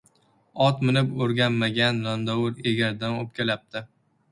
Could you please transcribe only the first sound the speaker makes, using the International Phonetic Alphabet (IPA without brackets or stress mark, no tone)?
ɒ